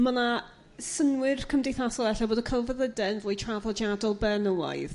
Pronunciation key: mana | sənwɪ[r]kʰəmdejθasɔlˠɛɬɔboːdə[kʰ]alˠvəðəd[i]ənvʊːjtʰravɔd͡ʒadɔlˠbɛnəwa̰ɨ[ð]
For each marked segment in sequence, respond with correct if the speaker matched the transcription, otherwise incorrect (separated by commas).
correct, correct, incorrect, correct